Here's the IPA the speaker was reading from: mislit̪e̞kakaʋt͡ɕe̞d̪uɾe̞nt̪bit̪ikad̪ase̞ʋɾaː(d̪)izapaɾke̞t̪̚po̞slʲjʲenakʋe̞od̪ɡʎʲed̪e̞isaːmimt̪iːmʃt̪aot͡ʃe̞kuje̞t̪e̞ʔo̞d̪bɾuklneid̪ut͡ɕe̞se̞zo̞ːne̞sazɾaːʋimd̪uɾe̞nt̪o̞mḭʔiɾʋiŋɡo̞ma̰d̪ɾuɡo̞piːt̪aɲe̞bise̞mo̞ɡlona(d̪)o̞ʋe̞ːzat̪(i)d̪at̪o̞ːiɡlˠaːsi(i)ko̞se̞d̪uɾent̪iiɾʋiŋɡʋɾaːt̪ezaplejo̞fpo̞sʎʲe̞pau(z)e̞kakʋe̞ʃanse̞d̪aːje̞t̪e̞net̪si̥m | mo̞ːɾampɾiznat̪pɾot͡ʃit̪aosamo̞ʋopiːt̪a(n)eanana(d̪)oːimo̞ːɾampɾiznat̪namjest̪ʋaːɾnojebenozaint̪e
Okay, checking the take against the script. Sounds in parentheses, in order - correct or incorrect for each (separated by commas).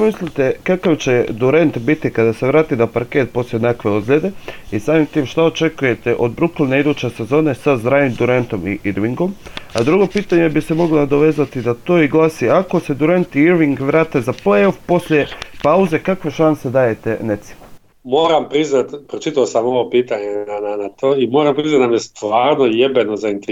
incorrect, correct, correct, incorrect, correct, incorrect, incorrect